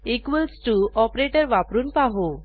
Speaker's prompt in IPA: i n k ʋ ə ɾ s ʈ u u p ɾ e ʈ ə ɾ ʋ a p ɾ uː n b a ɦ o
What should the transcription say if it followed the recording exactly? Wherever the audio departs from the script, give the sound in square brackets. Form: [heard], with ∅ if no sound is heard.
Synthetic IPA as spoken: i [∅] k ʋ ə [l] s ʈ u [ɔ] p ɾ e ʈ ə ɾ ʋ a p ɾ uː n [p] a ɦ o